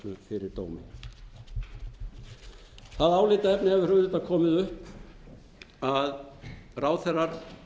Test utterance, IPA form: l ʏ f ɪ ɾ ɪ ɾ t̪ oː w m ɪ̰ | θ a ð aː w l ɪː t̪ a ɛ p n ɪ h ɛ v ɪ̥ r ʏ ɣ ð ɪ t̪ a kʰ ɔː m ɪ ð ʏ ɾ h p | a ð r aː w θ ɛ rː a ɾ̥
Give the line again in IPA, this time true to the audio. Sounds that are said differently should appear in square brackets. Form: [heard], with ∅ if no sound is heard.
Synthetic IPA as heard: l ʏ f ɪ ɾ ɪ ɾ t̪ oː w m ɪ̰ | θ a ð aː w l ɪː t̪ a ɛ p n ɪ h ɛ v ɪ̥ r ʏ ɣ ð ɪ t̪ a kʰ ɔː m ɪ ð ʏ [∅] h p | a ð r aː w θ ɛ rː a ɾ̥